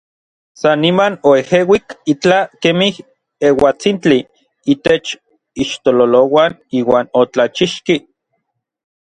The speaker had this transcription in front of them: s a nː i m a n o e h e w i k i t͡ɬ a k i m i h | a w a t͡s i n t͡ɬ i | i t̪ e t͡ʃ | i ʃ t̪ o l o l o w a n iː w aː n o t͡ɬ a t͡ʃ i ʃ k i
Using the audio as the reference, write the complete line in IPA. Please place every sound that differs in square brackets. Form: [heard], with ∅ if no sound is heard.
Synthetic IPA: s a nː i m a n o e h e w i k i t͡ɬ a k [e] m i h | [e] w a t͡s i n t͡ɬ i | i t̪ e t͡ʃ | i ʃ t̪ o l o l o w a n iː w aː n o t͡ɬ a t͡ʃ i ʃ k i